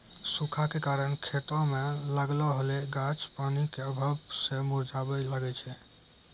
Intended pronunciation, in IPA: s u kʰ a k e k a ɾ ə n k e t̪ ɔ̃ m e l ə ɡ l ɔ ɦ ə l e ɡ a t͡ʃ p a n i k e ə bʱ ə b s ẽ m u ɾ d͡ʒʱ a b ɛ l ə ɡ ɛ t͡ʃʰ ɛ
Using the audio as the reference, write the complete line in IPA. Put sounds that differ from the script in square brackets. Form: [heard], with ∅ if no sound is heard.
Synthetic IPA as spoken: s u kʰ a k e k a ɾ ə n [kʰ] e t̪ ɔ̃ m e l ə ɡ l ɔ ɦ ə l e ɡ a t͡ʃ p a n i k e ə bʱ ə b s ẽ m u ɾ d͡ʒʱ a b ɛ l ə ɡ ɛ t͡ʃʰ ɛ